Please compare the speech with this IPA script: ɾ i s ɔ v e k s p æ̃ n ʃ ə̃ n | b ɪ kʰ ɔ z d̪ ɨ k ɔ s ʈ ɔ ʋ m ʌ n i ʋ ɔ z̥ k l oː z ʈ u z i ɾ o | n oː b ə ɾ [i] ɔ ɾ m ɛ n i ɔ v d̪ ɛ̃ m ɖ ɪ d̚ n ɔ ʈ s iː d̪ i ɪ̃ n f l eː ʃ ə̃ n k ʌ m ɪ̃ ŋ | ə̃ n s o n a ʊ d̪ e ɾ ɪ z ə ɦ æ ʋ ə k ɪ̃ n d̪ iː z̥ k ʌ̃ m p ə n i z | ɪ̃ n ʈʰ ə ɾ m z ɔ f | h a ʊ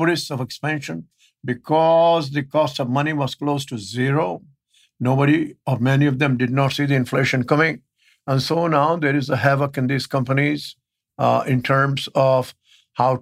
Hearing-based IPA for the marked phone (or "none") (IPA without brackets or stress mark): i